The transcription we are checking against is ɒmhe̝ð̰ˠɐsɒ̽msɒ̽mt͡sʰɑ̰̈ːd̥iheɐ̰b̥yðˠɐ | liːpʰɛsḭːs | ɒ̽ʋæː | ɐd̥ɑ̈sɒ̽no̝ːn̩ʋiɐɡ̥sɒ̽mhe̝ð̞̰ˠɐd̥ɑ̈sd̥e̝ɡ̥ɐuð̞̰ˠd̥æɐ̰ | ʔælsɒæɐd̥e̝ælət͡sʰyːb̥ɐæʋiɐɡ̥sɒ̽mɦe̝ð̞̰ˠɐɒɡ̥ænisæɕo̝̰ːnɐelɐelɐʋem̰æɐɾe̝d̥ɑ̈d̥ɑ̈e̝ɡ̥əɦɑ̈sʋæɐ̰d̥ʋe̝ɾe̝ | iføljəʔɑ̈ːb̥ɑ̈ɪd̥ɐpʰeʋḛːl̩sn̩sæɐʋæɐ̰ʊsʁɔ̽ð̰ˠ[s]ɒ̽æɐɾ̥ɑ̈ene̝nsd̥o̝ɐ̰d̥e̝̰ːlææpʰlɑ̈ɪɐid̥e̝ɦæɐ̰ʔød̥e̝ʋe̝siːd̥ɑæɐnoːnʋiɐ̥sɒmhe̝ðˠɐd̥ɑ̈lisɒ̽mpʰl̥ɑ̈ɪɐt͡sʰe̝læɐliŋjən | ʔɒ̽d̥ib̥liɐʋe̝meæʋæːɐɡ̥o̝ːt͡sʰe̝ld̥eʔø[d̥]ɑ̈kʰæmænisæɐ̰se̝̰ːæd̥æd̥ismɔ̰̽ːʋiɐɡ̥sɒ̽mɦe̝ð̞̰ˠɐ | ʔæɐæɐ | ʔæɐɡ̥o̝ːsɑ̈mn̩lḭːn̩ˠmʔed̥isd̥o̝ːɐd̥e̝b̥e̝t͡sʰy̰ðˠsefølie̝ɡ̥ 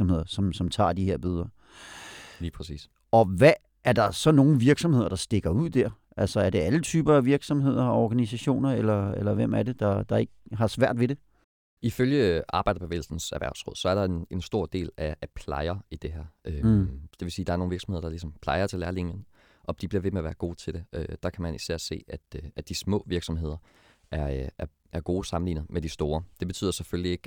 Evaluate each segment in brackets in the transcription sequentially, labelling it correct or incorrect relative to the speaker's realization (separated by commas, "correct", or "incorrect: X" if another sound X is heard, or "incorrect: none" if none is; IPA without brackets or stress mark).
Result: correct, correct